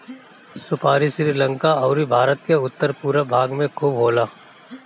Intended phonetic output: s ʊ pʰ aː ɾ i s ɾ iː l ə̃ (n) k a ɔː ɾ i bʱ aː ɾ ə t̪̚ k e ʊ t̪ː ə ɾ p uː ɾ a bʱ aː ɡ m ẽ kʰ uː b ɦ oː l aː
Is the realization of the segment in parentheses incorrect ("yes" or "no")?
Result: yes